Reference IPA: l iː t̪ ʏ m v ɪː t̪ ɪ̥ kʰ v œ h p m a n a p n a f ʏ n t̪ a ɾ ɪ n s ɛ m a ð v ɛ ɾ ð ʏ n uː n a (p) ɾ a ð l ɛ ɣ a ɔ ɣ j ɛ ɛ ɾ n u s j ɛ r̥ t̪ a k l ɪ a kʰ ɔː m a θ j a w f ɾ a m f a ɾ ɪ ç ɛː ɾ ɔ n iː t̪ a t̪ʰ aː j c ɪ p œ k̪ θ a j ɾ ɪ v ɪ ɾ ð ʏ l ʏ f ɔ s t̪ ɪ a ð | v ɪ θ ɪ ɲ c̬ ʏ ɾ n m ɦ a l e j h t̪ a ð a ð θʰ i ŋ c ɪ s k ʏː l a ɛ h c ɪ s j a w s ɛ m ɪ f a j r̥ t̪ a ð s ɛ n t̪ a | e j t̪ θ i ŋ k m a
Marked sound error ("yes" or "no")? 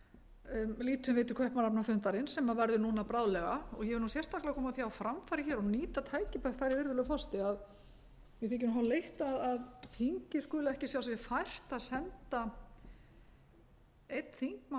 no